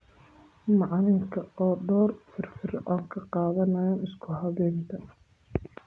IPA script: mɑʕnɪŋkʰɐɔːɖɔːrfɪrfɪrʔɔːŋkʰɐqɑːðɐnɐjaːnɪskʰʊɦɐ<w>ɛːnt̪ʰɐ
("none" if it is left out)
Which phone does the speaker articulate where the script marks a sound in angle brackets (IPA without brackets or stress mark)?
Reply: β